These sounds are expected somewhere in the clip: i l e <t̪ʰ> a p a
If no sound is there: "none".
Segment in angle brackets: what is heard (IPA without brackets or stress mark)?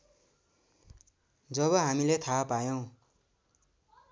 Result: t̪ʰ